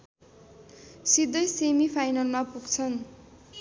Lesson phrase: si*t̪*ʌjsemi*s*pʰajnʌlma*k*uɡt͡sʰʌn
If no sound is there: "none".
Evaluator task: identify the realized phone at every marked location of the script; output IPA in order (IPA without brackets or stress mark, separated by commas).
d̪, none, p